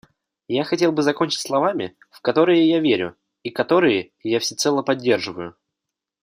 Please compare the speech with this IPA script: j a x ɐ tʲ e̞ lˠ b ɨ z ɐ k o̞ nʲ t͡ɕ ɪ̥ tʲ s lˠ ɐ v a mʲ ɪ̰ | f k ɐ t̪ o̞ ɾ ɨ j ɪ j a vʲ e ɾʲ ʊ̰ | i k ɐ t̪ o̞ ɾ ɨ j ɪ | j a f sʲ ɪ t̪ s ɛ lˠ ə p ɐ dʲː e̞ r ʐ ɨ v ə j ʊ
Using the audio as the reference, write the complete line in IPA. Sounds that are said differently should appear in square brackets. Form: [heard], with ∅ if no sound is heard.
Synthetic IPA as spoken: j a x ɐ tʲ e̞ lˠ b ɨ z ɐ k o̞ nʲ t͡ɕ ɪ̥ tʲ s lˠ ɐ v a mʲ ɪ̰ | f k ɐ t̪ o̞ ɾ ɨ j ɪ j a vʲ e ɾʲ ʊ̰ | i k ɐ t̪ o̞ ɾ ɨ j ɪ | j a f sʲ ɪ t̪ s ɛ lˠ ə p ɐ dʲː e̞ r ʐ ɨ v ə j ʊ